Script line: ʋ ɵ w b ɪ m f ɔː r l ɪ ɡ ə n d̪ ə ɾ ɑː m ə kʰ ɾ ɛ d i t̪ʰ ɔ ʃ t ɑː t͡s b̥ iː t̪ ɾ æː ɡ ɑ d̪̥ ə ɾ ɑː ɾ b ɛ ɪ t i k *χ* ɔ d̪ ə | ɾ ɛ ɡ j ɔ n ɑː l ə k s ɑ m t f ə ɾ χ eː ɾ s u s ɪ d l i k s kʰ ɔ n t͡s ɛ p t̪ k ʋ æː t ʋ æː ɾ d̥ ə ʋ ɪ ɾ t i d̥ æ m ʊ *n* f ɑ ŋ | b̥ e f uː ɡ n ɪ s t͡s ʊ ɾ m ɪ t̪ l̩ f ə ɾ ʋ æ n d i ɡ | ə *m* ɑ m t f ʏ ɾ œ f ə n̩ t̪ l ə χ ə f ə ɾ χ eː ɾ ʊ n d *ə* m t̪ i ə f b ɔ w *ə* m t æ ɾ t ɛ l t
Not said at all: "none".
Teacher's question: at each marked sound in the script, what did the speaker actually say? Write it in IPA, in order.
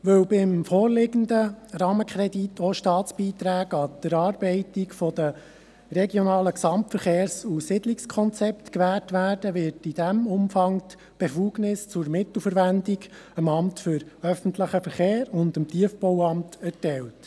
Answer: f, m, m, ə, ɑ

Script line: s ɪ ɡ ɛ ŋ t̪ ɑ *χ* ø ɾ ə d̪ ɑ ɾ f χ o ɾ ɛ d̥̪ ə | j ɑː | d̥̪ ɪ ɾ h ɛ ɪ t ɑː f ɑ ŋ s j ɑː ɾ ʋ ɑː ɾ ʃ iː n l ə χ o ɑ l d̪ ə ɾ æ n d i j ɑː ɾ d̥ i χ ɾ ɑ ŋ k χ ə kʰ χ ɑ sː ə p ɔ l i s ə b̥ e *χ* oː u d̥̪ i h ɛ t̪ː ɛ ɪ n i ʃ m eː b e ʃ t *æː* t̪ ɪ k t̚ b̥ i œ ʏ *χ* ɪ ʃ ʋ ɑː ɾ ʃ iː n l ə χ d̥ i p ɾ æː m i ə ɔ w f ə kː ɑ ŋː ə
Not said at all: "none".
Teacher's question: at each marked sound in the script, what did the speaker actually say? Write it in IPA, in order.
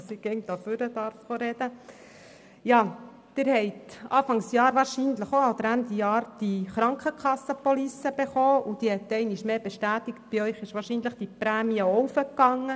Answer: f, χ, æː, χ

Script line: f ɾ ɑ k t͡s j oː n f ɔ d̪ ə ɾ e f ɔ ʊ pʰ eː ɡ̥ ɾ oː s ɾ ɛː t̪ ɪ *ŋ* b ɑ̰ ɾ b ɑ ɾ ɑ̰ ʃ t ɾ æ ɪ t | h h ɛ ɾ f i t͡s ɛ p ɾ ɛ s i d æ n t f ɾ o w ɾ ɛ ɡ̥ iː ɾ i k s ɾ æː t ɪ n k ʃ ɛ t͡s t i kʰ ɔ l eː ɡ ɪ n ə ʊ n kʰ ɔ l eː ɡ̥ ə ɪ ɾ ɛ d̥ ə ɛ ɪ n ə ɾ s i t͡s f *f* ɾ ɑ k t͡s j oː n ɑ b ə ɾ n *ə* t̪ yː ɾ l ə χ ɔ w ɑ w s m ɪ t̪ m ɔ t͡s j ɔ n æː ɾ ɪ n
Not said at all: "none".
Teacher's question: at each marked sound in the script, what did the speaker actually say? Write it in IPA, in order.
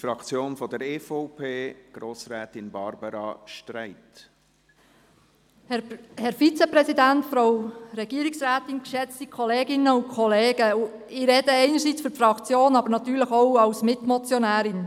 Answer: n, f, ɑ

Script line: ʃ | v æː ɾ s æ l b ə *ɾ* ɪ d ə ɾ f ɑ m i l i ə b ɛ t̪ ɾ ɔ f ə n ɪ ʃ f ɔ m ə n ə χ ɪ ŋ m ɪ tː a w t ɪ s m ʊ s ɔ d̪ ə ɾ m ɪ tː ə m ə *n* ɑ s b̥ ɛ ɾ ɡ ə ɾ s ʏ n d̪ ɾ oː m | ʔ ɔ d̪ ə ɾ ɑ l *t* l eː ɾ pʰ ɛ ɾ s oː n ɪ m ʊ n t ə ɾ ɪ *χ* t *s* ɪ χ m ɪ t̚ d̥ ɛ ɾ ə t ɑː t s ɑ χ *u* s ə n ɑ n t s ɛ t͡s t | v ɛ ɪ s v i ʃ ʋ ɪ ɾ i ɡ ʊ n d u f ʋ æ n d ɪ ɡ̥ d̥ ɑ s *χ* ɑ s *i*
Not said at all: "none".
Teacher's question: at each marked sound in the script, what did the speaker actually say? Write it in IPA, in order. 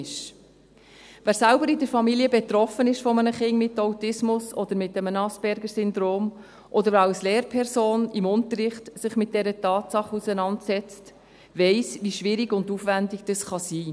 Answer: ɾ, n, s, χ, s, u, χ, iː

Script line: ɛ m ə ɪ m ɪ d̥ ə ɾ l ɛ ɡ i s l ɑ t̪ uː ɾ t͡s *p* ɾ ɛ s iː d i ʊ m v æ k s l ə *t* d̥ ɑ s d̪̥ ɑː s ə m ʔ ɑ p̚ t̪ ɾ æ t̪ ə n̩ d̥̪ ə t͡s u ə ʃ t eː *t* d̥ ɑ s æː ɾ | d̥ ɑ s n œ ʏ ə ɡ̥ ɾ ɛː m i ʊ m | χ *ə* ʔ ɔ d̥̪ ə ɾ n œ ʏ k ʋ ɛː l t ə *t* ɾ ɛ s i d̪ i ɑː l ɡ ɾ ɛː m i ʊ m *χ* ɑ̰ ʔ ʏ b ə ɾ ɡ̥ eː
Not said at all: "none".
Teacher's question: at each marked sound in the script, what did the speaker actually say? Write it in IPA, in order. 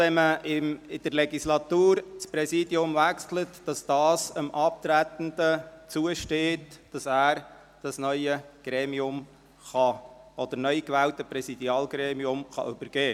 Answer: p, t, t, ɑ, p, χ

